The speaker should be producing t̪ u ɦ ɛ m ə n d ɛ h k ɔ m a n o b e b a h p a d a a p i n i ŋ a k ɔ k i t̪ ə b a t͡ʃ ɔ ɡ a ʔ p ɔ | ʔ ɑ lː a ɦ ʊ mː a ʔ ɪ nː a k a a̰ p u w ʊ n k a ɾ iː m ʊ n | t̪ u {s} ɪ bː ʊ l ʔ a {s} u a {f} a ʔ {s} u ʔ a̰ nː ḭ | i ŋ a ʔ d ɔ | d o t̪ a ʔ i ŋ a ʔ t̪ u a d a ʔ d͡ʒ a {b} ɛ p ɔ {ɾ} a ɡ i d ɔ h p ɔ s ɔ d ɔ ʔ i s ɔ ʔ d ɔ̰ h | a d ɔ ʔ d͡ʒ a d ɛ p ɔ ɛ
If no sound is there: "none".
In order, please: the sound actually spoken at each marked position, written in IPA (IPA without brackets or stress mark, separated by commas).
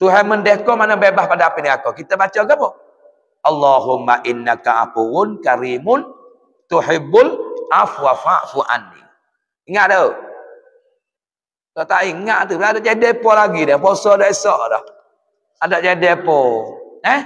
ħ, f, f, f, d, l